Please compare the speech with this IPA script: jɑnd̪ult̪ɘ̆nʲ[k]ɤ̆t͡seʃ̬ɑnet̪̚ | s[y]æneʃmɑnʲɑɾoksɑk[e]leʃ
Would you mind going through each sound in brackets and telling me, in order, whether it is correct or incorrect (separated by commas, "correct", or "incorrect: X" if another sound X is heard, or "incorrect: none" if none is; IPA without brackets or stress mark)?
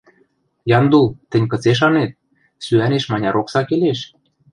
correct, correct, correct